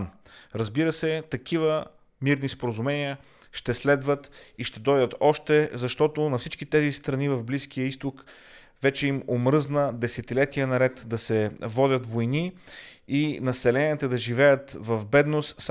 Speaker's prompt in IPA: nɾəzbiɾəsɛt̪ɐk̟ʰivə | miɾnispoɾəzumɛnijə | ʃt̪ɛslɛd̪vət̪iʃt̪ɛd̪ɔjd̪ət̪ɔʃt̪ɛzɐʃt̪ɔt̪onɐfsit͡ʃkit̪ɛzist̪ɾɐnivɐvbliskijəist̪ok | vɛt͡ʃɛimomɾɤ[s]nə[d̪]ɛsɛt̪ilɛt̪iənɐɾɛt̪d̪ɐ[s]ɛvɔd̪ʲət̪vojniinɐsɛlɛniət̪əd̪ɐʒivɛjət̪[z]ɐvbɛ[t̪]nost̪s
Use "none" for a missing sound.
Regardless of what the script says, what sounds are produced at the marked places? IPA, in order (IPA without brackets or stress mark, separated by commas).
z, d̪, s, v, d̪